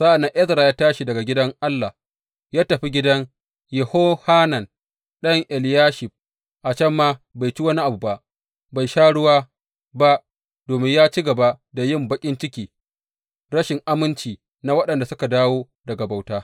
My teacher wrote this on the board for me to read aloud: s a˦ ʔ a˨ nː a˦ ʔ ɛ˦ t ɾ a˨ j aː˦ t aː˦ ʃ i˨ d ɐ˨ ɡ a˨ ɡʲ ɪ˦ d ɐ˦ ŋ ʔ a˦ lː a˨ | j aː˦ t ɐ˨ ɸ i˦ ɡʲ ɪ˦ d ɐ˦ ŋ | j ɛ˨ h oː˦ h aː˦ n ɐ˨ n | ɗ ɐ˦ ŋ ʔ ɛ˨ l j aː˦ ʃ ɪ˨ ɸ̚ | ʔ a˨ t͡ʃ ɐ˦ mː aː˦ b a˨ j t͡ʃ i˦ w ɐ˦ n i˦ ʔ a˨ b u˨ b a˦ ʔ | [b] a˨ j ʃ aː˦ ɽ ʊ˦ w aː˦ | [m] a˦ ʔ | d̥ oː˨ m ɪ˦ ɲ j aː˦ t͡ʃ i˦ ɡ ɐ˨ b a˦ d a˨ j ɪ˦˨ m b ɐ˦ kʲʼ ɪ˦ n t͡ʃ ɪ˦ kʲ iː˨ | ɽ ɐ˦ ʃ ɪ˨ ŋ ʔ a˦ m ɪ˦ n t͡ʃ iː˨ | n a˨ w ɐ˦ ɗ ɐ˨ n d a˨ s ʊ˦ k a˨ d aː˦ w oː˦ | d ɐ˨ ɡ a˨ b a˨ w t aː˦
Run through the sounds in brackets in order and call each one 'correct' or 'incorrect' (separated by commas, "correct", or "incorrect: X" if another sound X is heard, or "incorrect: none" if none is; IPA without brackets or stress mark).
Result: correct, incorrect: b